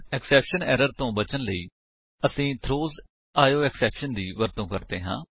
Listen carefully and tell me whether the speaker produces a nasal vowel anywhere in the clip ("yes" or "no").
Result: yes